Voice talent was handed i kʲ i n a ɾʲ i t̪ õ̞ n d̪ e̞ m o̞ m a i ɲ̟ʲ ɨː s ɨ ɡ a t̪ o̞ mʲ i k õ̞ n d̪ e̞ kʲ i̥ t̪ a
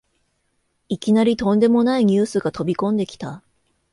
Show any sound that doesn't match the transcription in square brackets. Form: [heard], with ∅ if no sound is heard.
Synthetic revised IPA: i kʲ i n a ɾʲ i t̪ õ̞ n d̪ e̞ m o̞ [n] a i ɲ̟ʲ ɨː s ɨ ɡ a t̪ o̞ [bʲ] i k õ̞ n d̪ e̞ kʲ i̥ t̪ a